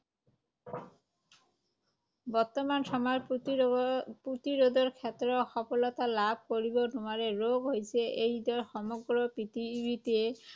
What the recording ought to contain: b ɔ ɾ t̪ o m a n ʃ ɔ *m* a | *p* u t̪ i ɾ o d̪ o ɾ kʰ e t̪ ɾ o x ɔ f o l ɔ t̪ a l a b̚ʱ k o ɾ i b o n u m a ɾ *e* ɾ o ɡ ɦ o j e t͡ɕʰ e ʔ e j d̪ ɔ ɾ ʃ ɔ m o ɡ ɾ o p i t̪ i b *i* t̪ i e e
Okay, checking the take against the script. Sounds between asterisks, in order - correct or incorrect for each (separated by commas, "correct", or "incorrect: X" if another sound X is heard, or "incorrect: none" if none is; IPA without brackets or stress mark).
correct, correct, correct, correct